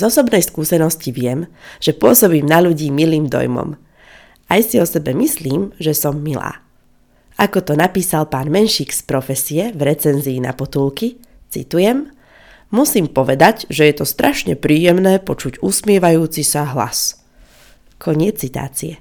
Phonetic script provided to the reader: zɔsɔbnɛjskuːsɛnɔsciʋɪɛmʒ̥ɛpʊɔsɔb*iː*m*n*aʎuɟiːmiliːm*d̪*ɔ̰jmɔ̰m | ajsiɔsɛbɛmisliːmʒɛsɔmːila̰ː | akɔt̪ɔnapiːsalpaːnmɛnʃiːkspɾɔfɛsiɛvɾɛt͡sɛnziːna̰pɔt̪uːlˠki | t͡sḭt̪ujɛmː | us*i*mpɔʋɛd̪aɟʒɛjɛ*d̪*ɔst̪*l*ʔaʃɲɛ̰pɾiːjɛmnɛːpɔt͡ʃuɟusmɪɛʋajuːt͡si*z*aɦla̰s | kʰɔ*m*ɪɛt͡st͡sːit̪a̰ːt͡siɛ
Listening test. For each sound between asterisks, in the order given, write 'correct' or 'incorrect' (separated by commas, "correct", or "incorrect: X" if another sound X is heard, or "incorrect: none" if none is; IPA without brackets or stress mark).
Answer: correct, correct, correct, incorrect: iː, incorrect: t̪, incorrect: ɾ, incorrect: s, incorrect: ɲ